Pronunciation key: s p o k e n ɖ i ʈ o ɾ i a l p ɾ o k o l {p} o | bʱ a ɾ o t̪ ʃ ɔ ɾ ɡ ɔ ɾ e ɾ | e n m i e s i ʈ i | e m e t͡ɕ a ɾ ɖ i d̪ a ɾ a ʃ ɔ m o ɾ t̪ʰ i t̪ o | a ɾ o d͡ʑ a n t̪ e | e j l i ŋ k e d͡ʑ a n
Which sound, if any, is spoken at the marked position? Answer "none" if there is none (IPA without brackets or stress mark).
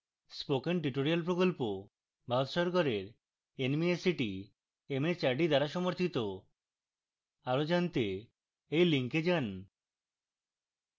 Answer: p